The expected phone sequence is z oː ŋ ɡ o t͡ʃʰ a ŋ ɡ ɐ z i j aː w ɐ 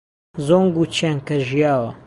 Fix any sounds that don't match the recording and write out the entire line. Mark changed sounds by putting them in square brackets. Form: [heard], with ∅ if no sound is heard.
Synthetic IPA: z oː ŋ ɡ [u] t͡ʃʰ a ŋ [k] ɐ [ʒ] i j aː w ɐ